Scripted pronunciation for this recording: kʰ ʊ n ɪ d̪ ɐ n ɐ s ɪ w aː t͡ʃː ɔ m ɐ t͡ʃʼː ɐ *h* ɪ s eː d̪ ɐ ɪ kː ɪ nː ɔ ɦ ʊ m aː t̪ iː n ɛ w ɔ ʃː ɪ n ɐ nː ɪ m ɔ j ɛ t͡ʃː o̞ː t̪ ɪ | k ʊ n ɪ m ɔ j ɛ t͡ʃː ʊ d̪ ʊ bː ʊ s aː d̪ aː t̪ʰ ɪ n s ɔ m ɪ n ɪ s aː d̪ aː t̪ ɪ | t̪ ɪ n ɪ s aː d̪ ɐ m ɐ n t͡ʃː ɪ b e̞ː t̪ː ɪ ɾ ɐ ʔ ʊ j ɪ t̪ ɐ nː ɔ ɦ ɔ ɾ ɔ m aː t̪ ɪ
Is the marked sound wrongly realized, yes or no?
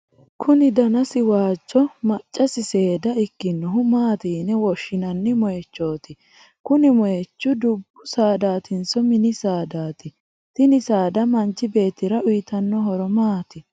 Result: yes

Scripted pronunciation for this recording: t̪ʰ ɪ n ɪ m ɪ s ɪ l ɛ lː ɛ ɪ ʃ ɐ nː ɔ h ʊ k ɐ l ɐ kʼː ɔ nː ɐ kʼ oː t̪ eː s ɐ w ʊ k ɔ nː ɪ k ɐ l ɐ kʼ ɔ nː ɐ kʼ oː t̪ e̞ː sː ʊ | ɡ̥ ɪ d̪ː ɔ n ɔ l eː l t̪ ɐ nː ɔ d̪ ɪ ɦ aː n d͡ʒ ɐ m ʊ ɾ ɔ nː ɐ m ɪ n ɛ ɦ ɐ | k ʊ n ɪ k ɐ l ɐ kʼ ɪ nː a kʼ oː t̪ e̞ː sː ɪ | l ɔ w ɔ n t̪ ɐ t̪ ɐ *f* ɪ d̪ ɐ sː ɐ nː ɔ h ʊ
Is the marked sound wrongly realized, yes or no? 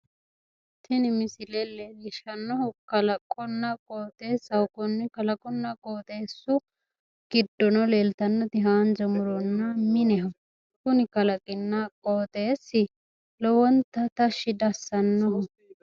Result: yes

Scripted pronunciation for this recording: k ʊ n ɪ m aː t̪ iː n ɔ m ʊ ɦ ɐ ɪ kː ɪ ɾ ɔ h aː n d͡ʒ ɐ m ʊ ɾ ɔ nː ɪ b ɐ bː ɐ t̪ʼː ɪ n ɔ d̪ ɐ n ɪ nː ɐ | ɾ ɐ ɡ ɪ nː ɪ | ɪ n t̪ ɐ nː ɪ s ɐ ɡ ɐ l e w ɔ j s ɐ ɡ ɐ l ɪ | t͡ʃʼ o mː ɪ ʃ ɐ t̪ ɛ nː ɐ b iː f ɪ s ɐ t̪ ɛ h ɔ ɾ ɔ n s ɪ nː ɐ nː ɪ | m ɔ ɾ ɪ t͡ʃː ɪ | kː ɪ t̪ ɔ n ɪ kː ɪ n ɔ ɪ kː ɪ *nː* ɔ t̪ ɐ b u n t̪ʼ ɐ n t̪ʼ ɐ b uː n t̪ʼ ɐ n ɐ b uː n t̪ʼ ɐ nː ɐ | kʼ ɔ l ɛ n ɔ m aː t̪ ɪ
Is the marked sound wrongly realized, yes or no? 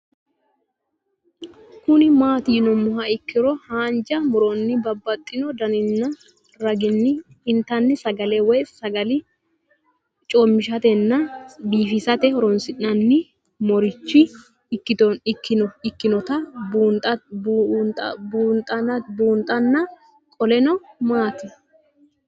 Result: yes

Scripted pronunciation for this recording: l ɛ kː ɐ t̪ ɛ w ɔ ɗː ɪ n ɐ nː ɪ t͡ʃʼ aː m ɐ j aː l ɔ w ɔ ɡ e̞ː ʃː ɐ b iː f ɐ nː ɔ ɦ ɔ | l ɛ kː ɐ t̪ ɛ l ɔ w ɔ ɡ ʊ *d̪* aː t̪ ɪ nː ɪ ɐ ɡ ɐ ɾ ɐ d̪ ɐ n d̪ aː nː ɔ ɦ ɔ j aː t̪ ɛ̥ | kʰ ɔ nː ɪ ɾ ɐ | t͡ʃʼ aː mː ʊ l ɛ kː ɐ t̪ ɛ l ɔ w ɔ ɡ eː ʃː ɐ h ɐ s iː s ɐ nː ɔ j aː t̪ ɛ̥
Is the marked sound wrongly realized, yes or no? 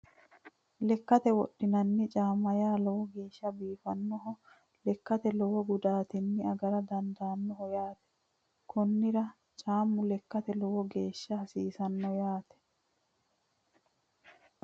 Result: no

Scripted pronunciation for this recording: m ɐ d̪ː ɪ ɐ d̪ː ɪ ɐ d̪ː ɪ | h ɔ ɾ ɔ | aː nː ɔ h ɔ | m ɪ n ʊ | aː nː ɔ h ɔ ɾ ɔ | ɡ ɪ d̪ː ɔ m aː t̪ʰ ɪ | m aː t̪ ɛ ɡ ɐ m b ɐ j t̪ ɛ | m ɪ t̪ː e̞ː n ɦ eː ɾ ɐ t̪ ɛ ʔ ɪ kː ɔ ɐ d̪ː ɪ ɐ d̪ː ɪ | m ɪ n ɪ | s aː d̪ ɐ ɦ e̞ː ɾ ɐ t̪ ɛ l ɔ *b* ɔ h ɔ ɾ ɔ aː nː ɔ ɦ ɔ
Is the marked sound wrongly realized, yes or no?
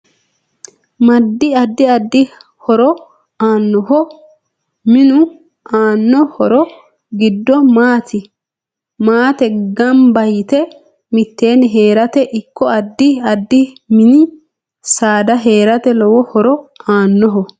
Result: yes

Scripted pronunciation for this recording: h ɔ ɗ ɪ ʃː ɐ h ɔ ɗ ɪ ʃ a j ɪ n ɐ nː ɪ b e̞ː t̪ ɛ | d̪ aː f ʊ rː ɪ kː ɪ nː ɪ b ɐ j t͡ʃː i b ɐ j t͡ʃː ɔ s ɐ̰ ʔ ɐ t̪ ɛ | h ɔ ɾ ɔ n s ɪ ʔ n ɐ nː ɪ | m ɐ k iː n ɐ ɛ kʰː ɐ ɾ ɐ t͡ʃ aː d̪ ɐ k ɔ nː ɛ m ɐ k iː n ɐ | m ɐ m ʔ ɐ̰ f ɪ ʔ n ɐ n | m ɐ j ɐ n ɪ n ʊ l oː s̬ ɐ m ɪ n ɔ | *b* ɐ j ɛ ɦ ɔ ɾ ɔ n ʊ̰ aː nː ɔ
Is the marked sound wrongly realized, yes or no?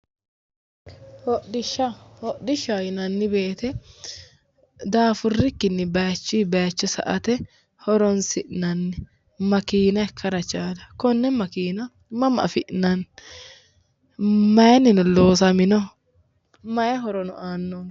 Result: yes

